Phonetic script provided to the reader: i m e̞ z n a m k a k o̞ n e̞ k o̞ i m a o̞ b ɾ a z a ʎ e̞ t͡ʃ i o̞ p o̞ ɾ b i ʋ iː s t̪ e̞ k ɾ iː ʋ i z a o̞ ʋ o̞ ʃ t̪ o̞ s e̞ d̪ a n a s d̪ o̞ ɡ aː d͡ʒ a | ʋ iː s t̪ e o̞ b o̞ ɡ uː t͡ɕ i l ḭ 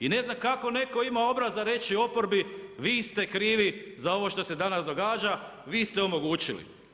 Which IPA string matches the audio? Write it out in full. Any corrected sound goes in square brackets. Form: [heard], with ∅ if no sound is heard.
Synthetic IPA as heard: i [n] e̞ z n a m k a k o̞ n e̞ k o̞ i m a o̞ b ɾ a z a [ɾ] e̞ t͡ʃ i o̞ p o̞ ɾ b i ʋ iː s t̪ e̞ k ɾ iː ʋ i z a o̞ ʋ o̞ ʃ t̪ o̞ s e̞ d̪ a n a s d̪ o̞ ɡ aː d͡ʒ a | ʋ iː s t̪ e o̞ [m] o̞ ɡ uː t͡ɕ i l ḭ